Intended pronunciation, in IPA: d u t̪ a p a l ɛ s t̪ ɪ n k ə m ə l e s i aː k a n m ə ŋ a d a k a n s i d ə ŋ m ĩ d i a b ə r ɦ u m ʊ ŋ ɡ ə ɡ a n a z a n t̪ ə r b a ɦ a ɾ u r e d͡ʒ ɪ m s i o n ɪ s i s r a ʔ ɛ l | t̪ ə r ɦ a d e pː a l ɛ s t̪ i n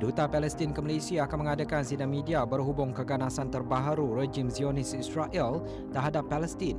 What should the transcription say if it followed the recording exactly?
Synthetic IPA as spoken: d u t̪ a p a l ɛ s t̪ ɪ n k ə m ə l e s i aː k a n m ə ŋ a d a k a n s i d a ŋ m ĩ d i a b ə r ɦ u b ʊ ŋ k ə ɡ a n a s a n t̪ ə r b a ɦ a ɾ u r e d͡ʒ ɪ m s i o n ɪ s i s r a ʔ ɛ l | t̪ ə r ɦ a d a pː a l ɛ s t̪ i n